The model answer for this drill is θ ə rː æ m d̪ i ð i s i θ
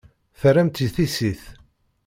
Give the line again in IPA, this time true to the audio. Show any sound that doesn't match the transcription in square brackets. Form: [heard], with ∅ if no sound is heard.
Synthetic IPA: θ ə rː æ m [t̪] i [θ] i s i θ